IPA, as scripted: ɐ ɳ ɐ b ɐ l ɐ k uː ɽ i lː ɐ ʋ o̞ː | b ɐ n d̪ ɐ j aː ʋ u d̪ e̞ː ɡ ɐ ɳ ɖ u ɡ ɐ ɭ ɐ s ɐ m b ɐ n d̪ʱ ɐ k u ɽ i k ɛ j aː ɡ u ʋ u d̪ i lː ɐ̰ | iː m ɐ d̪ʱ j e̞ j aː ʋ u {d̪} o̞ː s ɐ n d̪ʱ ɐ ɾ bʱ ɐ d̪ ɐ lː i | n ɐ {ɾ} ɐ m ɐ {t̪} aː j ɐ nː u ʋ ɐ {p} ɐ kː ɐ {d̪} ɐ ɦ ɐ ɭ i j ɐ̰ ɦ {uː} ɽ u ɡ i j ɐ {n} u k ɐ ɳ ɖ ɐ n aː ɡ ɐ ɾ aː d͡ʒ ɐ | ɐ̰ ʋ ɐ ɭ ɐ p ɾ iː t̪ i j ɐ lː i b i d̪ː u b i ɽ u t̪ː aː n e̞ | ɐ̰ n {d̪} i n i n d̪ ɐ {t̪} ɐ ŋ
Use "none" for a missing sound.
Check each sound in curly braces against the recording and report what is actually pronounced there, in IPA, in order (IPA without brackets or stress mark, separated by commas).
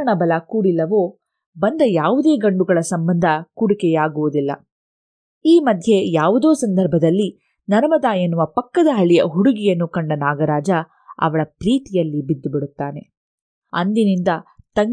d̪, ɾ, d̪, p, d̪, u, nː, d̪, t̪